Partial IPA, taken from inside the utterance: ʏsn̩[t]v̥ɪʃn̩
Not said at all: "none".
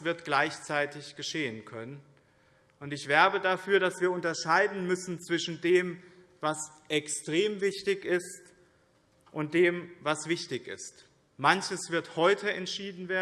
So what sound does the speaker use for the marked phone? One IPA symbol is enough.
t͡s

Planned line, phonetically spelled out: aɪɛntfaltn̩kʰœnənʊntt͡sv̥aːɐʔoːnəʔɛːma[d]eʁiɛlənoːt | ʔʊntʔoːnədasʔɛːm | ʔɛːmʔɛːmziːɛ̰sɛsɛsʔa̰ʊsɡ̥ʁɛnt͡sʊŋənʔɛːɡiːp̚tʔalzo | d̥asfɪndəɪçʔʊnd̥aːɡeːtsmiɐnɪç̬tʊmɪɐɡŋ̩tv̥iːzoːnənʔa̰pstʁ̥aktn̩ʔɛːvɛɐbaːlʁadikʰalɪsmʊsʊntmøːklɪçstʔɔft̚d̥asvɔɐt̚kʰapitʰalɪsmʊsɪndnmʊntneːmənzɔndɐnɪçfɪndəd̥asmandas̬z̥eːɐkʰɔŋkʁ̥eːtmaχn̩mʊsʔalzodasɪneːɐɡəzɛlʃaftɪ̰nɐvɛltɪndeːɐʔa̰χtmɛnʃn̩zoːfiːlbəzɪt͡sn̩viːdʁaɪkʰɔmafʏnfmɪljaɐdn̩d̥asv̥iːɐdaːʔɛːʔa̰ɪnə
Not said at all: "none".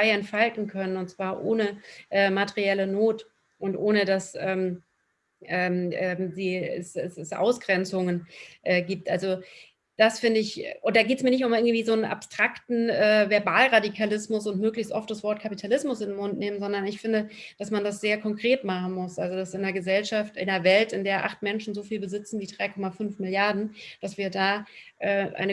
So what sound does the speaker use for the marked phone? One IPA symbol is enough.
t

